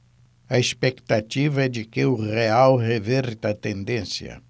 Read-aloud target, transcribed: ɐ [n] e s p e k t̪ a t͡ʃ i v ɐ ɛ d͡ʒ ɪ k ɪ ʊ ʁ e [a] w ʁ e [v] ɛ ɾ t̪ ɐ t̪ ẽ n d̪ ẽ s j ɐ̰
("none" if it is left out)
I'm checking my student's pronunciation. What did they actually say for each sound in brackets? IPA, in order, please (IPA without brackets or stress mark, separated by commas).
none, a, v